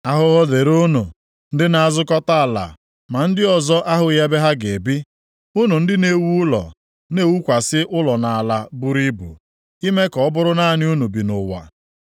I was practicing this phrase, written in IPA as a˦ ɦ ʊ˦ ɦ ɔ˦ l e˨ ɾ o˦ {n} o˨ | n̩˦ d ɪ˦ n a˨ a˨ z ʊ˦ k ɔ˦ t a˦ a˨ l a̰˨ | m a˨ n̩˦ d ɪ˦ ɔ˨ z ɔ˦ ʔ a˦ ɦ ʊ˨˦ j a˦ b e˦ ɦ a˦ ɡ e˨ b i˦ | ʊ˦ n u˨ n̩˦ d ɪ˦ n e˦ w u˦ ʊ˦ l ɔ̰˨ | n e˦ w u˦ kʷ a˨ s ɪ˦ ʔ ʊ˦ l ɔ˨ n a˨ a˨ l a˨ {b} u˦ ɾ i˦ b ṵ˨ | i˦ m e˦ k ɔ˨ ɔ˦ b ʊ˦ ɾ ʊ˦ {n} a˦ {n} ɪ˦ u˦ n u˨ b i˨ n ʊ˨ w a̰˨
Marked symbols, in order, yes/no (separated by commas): yes, yes, yes, yes